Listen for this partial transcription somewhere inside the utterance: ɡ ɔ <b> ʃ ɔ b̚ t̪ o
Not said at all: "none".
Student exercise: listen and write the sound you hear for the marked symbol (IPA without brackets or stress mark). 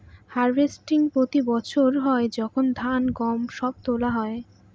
m